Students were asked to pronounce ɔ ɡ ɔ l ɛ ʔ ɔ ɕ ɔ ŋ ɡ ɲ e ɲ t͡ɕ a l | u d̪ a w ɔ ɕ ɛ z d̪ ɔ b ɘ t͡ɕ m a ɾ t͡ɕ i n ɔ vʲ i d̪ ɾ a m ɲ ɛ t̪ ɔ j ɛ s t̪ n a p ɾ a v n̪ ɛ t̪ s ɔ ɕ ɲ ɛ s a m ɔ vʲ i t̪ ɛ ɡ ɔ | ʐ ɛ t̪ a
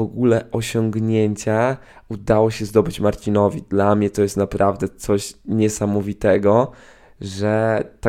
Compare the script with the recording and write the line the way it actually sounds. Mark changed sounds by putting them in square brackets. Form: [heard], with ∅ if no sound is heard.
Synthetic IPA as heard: ɔ ɡ [u] l ɛ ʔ ɔ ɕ ɔ ŋ ɡ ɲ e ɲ t͡ɕ a [∅] | u d̪ a w ɔ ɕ ɛ z d̪ ɔ b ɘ t͡ɕ m a ɾ t͡ɕ i n ɔ vʲ i d̪ [l] a m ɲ ɛ t̪ ɔ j ɛ s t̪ n a p ɾ a v [d̪] ɛ t̪ s ɔ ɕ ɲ ɛ s a m ɔ vʲ i t̪ ɛ ɡ ɔ | ʐ ɛ t̪ a